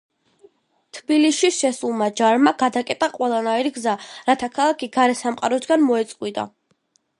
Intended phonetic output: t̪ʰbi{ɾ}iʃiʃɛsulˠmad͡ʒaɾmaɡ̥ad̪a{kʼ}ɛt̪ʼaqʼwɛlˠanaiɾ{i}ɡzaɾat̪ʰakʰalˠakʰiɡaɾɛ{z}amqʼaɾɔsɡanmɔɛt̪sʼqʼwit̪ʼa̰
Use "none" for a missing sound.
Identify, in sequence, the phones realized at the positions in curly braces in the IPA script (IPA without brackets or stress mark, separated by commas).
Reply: l, kʼ, i, s